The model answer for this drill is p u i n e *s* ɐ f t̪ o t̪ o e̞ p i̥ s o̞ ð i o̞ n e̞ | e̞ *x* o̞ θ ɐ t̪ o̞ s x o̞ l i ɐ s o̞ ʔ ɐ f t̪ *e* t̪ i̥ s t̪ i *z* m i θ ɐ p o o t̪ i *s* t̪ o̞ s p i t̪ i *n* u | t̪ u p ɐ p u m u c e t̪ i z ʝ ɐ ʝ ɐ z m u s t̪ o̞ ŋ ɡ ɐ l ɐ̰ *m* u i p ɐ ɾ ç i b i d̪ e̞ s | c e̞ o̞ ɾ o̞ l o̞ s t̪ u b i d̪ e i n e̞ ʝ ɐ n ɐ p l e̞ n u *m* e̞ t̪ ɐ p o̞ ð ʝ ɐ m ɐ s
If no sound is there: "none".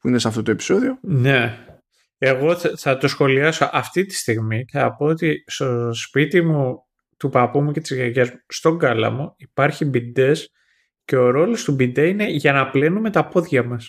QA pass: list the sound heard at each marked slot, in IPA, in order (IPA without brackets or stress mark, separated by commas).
s, ɣ, i, ɣ, s, m, m, m